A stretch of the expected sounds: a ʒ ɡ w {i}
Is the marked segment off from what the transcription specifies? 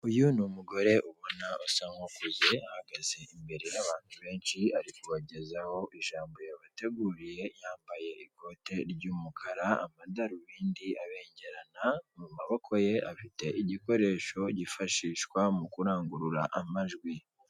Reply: no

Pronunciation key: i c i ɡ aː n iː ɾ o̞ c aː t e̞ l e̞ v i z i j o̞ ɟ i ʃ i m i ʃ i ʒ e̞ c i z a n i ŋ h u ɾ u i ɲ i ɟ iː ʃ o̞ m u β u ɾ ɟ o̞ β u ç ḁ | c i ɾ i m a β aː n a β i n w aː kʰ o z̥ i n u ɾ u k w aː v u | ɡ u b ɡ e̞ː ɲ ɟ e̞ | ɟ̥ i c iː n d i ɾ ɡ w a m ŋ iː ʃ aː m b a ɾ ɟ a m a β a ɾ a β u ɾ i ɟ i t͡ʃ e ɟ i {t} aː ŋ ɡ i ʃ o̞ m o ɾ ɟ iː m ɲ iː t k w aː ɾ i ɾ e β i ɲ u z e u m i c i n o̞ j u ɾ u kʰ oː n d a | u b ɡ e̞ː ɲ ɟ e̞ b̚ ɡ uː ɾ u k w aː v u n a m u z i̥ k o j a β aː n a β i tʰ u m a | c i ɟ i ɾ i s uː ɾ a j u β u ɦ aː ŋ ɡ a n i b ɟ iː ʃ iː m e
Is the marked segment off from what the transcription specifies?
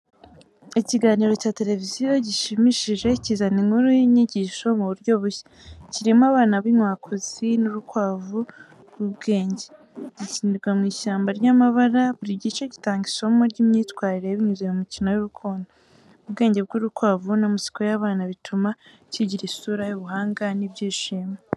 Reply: no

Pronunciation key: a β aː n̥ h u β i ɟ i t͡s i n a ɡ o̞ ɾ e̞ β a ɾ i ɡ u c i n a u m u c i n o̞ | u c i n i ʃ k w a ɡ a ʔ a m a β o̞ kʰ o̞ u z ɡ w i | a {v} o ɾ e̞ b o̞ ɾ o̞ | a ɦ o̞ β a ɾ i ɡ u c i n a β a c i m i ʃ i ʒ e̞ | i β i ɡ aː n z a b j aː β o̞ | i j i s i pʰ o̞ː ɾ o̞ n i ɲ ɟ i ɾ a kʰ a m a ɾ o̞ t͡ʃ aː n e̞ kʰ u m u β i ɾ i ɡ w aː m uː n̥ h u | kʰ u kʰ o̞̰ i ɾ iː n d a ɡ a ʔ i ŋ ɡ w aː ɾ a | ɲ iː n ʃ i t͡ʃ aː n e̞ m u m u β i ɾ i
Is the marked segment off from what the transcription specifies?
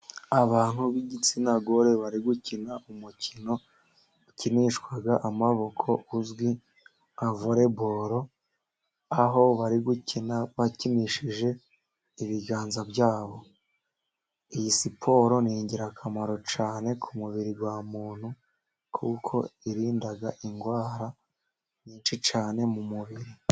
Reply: no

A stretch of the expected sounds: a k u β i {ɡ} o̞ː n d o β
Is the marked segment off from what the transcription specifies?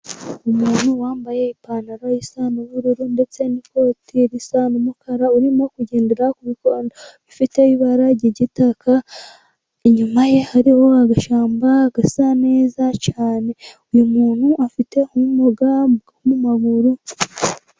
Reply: yes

